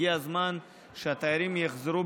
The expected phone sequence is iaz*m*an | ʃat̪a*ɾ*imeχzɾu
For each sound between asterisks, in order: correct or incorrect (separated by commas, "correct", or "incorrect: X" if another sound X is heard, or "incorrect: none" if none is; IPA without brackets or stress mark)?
correct, correct